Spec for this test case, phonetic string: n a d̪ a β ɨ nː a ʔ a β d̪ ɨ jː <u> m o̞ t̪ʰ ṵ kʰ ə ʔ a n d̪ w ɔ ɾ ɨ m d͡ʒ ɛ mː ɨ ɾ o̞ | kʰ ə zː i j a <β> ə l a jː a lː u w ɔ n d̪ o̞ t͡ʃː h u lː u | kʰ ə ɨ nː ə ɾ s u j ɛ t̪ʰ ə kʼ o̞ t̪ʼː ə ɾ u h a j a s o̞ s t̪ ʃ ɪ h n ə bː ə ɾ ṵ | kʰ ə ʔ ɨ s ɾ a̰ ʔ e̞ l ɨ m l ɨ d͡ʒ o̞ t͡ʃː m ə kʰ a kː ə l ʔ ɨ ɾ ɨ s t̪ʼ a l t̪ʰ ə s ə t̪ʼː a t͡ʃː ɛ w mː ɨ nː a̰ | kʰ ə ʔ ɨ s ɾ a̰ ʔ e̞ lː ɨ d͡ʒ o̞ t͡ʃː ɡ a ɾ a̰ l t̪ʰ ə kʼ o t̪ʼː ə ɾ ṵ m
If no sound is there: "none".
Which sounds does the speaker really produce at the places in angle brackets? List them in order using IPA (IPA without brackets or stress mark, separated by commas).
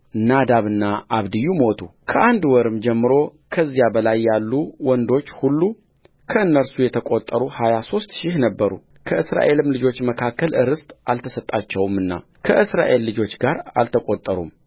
u, b